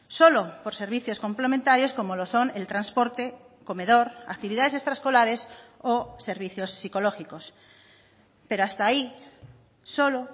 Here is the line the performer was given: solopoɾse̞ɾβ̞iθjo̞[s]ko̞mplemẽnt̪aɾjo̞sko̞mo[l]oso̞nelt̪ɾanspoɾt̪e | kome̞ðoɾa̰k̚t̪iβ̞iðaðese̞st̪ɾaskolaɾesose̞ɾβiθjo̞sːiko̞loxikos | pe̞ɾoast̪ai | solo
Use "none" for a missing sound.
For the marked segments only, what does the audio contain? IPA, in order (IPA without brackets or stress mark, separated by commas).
s, l